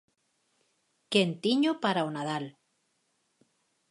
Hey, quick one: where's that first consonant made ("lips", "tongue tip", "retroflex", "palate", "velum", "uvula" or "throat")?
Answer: velum